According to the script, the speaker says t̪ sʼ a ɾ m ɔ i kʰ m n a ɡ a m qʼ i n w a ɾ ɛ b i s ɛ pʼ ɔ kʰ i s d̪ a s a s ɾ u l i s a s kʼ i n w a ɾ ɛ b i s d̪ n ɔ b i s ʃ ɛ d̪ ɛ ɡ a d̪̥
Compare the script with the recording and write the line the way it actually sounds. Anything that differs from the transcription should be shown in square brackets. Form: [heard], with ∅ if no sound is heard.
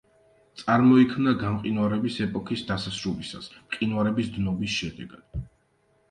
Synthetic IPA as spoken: t̪ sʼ a ɾ m ɔ i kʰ m n a ɡ a m qʼ i n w a ɾ ɛ b i s ɛ pʼ ɔ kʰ i s d̪ a s a s ɾ u l i s a s [qʼ] i n w a ɾ ɛ b i s d̪ n ɔ b i s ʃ ɛ d̪ ɛ ɡ a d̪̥